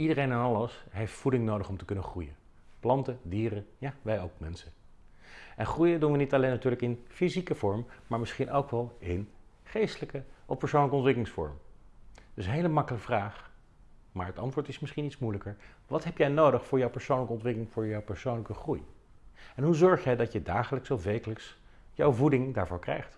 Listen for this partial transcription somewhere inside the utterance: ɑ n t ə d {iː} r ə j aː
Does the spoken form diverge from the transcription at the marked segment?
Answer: no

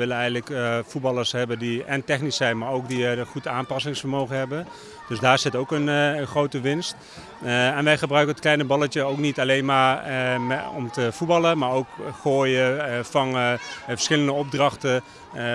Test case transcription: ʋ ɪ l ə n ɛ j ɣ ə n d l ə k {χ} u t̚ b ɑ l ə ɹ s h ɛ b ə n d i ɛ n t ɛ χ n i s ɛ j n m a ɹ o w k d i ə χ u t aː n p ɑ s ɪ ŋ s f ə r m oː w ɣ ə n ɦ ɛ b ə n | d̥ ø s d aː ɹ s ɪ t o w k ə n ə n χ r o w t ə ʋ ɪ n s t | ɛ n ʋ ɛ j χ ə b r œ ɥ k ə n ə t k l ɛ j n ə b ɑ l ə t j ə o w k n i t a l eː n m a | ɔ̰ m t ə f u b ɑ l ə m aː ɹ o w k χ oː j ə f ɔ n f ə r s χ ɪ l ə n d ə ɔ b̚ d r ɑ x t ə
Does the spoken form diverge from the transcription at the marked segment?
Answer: yes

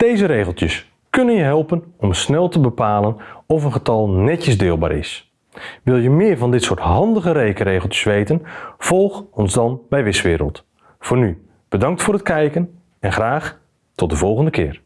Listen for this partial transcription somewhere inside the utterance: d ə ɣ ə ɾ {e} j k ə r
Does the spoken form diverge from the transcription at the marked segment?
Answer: no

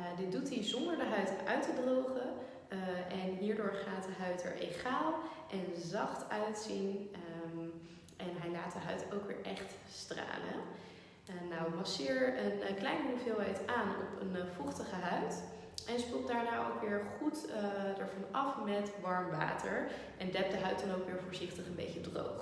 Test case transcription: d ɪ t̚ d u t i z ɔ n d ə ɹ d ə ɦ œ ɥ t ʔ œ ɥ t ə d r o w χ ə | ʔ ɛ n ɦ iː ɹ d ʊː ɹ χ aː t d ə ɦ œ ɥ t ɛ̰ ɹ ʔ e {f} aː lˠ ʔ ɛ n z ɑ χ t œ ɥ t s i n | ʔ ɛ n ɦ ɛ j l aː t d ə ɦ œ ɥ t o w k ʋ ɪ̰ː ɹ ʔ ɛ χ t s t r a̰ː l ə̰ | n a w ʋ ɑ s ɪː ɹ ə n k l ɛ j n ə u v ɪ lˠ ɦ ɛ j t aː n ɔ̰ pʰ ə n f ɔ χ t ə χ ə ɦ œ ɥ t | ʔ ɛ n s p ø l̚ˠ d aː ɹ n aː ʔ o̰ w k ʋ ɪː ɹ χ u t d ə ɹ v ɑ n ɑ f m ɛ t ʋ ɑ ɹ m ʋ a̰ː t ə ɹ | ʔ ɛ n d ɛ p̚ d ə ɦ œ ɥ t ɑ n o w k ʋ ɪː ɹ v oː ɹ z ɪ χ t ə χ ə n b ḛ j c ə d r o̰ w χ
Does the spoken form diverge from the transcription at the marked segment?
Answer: yes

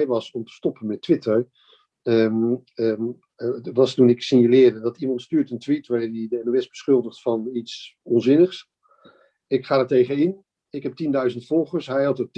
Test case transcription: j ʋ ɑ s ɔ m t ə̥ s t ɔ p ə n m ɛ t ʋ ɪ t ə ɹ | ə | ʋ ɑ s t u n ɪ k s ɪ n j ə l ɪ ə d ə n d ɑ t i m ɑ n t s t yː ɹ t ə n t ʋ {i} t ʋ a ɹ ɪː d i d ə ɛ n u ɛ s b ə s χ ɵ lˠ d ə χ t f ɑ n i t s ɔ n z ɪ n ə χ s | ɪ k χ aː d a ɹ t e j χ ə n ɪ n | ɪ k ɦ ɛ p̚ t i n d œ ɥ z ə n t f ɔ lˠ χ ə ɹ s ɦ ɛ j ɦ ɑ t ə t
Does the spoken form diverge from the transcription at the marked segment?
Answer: no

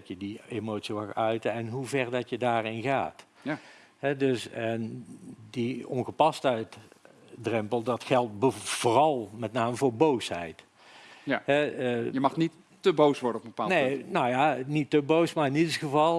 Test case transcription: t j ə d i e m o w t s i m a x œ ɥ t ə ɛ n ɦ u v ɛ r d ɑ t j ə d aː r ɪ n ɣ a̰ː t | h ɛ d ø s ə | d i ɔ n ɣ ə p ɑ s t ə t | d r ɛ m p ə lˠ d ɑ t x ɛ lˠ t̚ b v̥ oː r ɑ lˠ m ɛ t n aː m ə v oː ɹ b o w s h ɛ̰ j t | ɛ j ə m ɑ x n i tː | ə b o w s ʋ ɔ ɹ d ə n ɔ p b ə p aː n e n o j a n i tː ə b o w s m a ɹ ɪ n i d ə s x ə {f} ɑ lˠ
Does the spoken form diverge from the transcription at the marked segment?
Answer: yes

